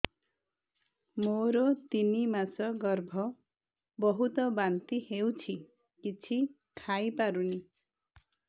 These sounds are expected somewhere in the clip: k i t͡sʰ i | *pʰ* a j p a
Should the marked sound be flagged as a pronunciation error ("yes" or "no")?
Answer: yes